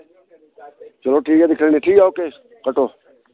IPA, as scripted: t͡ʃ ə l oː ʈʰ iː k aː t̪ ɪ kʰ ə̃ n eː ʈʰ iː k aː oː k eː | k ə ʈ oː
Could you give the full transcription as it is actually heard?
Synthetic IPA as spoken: t͡ʃ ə l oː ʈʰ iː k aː d̪ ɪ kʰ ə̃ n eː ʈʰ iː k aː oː k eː | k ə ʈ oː